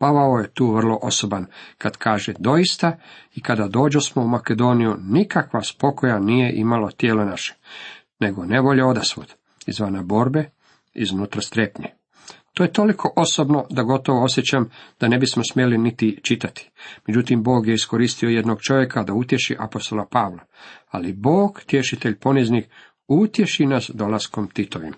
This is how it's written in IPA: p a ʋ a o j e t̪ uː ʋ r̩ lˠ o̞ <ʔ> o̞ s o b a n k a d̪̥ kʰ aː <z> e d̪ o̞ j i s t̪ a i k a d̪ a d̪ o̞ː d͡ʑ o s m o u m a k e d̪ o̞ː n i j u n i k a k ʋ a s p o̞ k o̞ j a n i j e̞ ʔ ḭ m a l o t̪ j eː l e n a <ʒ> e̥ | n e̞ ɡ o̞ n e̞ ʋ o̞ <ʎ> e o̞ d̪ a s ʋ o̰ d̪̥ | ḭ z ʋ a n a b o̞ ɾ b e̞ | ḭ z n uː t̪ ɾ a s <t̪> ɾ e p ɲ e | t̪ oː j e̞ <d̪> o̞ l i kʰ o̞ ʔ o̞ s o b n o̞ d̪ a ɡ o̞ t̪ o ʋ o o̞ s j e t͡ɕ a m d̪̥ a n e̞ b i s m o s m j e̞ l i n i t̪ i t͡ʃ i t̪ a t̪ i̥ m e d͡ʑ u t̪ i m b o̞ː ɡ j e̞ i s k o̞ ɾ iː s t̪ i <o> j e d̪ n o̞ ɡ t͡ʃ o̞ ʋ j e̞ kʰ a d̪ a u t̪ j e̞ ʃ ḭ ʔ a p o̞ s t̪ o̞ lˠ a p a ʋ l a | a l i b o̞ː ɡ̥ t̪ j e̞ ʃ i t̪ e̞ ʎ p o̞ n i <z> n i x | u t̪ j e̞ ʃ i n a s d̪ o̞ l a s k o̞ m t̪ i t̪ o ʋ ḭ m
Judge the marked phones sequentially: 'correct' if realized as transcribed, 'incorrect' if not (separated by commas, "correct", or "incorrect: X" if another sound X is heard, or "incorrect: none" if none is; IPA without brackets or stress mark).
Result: correct, incorrect: ʒ, incorrect: ʃ, correct, correct, incorrect: t̪, correct, correct